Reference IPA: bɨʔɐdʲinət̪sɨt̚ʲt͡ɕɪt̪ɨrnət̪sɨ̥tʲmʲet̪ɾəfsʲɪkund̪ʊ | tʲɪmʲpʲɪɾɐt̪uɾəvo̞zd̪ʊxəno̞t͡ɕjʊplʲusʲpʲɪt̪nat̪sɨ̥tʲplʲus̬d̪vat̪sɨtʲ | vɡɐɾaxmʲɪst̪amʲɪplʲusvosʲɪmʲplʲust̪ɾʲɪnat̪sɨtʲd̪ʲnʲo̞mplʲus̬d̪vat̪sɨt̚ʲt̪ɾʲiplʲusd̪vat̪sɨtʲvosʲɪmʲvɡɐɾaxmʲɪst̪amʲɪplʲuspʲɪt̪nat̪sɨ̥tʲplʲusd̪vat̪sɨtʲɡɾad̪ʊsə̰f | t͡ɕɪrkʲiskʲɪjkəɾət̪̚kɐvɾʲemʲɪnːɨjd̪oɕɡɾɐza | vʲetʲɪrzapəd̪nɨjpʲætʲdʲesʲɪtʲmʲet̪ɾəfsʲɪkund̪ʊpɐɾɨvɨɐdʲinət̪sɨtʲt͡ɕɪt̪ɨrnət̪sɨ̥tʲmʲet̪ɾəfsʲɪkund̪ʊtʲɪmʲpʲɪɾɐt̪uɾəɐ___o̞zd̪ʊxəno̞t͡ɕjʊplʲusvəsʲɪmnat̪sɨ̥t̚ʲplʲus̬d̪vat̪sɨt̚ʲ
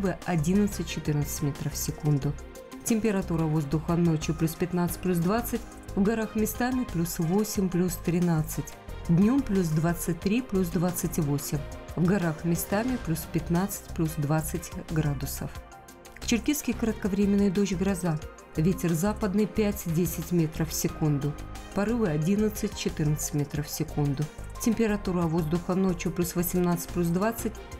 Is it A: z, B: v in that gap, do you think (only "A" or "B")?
B